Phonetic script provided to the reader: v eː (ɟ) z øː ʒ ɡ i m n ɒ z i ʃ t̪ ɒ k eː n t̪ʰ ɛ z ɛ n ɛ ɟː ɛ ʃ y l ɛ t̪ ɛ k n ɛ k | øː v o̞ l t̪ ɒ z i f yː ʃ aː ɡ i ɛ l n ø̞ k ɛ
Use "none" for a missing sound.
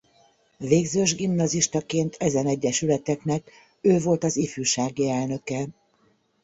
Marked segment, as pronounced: ɡ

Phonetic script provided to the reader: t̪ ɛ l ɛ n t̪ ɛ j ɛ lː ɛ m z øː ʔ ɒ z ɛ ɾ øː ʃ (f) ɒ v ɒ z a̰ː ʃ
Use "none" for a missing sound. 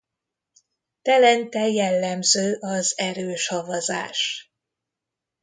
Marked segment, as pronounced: h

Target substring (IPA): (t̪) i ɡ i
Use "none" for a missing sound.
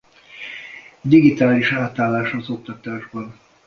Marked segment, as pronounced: d̪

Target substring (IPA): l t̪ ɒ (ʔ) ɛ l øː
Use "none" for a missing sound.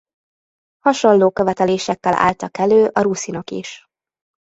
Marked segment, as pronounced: k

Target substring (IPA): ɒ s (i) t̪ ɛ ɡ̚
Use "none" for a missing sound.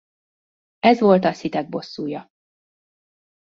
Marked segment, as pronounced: i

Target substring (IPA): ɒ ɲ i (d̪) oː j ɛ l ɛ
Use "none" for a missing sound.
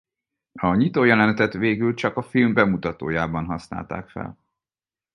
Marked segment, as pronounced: t̪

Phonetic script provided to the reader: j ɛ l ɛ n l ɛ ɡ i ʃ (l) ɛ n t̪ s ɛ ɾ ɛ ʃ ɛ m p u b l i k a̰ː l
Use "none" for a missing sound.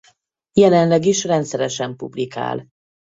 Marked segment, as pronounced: r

